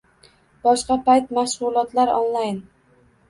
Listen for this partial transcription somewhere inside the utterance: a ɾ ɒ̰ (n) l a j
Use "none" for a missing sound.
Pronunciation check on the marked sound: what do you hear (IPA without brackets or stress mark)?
n